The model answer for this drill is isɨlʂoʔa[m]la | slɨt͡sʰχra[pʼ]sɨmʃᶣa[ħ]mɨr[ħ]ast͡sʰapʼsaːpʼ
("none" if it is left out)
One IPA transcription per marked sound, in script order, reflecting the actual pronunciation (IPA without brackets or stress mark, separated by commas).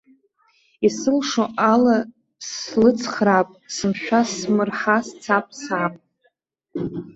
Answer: none, pʼ, s, ħ